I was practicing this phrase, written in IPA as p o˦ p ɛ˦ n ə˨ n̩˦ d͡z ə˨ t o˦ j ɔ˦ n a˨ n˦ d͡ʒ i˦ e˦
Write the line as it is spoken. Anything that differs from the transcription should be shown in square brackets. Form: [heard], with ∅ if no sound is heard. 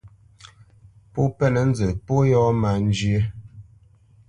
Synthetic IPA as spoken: p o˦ p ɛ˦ n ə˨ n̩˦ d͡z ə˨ [p] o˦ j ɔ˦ [m] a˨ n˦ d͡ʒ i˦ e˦